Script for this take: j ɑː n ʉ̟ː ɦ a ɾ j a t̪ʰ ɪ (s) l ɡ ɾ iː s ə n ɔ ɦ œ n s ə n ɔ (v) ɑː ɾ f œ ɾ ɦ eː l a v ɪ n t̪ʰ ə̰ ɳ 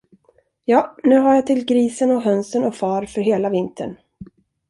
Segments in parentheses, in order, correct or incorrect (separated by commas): incorrect, incorrect